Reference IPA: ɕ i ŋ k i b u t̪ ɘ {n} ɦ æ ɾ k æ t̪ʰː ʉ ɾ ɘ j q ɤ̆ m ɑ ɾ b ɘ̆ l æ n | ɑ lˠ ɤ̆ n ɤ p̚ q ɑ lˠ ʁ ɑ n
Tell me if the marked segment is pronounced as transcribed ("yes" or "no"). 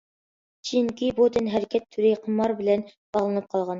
yes